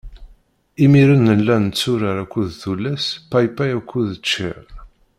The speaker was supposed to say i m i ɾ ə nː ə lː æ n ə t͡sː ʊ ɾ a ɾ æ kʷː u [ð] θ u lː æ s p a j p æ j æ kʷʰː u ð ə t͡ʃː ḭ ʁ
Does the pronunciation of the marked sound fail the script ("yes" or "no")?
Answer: no